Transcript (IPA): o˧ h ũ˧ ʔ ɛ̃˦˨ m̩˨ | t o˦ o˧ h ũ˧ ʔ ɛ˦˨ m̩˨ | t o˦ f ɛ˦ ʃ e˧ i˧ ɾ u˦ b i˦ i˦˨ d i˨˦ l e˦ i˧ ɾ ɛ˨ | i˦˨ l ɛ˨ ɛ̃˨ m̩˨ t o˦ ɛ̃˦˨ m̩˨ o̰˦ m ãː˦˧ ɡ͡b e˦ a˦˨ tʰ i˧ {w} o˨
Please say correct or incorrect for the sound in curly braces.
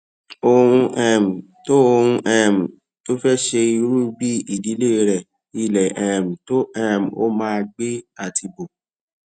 incorrect